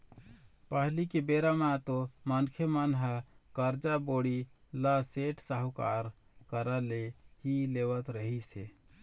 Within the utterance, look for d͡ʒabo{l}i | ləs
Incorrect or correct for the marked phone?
incorrect: ɽ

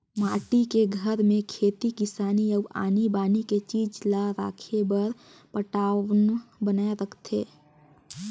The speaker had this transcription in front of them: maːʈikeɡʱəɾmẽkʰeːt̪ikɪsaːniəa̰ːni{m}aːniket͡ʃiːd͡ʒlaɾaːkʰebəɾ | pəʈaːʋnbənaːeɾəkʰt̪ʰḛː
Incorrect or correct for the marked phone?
incorrect: b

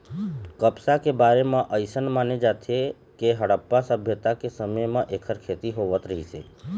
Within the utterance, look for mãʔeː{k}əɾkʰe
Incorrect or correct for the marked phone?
incorrect: kʰ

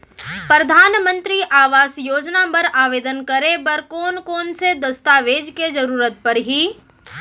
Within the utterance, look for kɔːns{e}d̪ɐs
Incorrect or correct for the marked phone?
correct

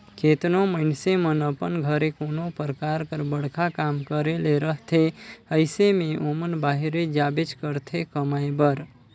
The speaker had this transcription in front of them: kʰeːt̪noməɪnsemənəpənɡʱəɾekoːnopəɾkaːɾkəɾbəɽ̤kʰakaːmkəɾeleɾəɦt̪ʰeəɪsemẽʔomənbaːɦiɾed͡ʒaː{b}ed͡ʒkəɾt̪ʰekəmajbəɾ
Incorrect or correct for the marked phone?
correct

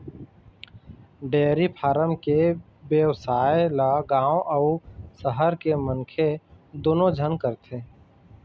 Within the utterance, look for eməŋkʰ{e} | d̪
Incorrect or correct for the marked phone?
correct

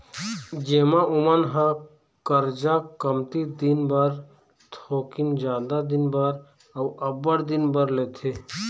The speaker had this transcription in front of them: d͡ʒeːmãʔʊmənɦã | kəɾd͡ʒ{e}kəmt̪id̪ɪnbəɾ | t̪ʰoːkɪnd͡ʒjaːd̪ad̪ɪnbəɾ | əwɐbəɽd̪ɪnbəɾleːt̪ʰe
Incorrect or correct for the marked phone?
incorrect: a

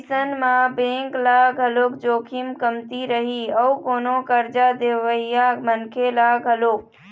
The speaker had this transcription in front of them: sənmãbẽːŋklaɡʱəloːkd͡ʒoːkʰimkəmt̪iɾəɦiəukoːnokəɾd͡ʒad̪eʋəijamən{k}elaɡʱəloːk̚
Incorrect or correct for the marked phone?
incorrect: kʰ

